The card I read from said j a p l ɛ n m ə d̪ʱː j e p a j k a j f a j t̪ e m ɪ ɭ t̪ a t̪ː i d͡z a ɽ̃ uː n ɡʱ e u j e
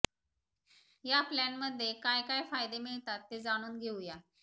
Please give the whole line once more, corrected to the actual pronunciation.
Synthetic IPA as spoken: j a p l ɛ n m ə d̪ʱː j e k a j k a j f a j d̪ e m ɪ ɭ t̪ a t̪ː e d͡z a ɽ̃ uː n ɡʱ e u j a